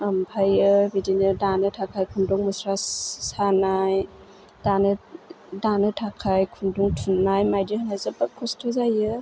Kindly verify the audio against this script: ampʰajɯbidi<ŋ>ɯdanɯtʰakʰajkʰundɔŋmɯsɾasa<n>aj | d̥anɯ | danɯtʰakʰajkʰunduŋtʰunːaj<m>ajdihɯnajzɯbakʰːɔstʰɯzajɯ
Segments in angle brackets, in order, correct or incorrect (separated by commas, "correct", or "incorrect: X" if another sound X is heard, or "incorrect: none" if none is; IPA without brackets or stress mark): incorrect: n, correct, correct